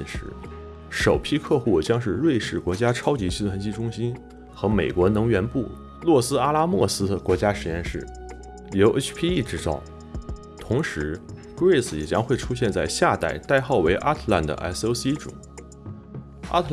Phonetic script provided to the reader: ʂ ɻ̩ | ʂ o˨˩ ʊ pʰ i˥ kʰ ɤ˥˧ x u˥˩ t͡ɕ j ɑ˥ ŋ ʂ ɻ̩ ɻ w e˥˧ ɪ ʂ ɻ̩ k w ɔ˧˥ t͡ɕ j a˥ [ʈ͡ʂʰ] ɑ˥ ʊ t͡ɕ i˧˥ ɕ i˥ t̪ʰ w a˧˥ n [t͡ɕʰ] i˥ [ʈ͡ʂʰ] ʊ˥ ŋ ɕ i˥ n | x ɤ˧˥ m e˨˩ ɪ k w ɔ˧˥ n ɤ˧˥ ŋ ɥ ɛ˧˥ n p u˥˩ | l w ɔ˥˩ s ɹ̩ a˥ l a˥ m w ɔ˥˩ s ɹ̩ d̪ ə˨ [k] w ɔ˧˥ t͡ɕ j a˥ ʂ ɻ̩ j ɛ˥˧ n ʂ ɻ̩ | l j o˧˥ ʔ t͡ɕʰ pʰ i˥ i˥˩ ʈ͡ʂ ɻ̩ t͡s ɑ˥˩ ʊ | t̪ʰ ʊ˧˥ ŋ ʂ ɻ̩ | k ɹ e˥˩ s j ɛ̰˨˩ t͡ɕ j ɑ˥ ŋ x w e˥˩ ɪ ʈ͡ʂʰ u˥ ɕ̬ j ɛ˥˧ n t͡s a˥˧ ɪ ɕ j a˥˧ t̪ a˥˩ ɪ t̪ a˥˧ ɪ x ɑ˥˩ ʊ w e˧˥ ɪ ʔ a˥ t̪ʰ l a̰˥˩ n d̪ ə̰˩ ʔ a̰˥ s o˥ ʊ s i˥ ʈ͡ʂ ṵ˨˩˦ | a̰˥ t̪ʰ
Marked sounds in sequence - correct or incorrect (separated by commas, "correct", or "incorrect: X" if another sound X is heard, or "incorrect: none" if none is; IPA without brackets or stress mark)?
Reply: correct, incorrect: t͡ɕ, incorrect: ʈ͡ʂ, correct